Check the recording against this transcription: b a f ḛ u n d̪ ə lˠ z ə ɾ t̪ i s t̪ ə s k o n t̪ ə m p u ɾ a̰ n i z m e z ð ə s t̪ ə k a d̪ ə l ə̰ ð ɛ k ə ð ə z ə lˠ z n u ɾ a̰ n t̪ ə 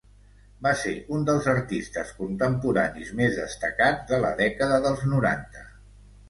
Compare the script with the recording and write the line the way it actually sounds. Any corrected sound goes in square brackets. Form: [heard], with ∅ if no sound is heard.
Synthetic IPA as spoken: b a [s] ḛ u n d̪ ə lˠ z ə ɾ t̪ i s t̪ ə s k [u] n t̪ ə m p u ɾ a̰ n i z m e z ð ə s t̪ ə k a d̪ ə l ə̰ ð ɛ k ə ð ə [ð] ə lˠ z n u ɾ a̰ n t̪ ə

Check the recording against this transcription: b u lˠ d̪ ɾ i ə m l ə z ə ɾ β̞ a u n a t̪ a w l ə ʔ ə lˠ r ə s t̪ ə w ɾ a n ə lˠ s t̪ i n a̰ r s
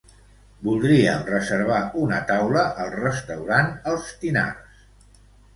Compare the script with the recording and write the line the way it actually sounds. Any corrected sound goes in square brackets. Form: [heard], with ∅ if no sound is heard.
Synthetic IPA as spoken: b u lˠ d̪ ɾ i ə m [r] ə z ə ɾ β̞ a u n [ə] t̪ a w l ə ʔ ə lˠ r ə s t̪ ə w ɾ a n ə lˠ s t̪ i n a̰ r s

